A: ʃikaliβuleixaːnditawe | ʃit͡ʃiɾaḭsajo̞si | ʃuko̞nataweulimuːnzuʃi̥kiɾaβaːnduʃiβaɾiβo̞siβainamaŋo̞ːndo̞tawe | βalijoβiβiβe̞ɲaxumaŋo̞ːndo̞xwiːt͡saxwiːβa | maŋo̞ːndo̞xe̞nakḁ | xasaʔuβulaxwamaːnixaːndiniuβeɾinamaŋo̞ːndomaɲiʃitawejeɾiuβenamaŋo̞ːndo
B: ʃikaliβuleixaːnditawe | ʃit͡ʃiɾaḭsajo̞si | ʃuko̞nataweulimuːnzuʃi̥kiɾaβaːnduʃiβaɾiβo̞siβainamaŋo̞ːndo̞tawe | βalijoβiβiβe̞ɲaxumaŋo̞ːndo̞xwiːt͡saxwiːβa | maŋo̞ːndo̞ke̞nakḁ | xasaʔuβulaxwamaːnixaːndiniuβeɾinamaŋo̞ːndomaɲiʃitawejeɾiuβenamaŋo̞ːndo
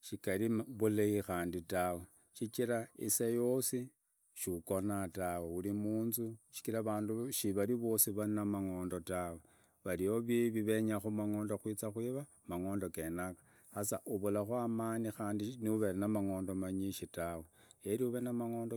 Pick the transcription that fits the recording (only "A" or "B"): B